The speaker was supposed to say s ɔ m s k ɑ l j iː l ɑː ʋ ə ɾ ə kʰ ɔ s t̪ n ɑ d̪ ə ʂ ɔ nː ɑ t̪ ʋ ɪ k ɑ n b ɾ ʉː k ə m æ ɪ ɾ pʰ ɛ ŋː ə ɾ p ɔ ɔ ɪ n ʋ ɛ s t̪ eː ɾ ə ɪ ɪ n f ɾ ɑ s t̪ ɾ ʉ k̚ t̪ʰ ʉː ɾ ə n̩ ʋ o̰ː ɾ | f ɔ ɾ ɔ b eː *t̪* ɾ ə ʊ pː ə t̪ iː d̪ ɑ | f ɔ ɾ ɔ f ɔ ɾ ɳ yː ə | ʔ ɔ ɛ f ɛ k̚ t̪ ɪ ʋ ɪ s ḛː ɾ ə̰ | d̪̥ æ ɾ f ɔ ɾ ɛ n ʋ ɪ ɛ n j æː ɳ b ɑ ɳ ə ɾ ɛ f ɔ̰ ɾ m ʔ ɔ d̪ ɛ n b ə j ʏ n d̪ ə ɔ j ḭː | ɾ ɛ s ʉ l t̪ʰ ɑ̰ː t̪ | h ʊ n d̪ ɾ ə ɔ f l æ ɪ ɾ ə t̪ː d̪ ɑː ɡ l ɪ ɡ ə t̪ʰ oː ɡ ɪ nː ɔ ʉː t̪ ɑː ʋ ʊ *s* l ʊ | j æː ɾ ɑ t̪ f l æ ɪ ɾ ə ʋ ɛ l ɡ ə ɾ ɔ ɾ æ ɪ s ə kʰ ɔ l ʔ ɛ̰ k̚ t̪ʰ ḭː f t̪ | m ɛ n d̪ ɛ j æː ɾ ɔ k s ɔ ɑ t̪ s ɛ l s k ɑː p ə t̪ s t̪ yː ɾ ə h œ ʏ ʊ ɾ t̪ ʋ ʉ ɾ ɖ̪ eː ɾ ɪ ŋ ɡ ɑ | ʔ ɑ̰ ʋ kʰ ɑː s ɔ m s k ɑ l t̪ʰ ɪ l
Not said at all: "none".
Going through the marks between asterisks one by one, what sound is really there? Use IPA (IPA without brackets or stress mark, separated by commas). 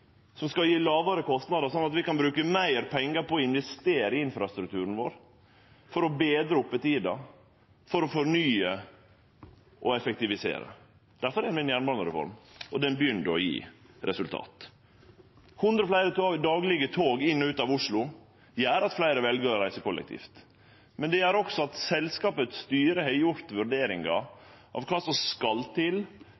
d̪, ʂ